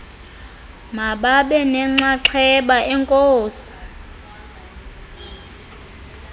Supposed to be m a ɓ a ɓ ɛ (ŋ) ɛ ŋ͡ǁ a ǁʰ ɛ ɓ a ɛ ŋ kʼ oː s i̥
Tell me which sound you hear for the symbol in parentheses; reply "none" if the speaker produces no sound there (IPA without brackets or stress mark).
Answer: n